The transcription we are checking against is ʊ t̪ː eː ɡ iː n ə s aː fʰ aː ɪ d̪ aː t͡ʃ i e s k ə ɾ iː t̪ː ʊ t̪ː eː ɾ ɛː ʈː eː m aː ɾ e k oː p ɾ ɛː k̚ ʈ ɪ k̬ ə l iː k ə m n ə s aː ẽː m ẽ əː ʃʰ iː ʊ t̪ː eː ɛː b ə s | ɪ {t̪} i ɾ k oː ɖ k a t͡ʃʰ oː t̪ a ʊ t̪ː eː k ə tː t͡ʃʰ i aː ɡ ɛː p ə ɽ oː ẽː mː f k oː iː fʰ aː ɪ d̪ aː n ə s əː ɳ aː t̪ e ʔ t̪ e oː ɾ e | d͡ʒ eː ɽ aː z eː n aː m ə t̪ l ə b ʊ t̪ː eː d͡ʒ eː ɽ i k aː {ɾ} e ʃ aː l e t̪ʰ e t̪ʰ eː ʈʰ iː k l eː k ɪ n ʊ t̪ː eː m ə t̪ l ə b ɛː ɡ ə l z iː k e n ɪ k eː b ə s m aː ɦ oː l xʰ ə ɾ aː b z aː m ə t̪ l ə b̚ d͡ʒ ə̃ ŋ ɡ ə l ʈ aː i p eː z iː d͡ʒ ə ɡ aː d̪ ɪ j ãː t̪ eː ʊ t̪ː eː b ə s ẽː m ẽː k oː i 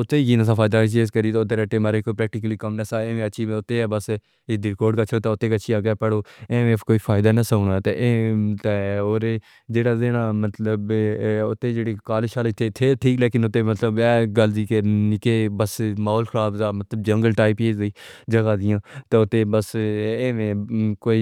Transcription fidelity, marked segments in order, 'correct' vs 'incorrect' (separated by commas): incorrect, incorrect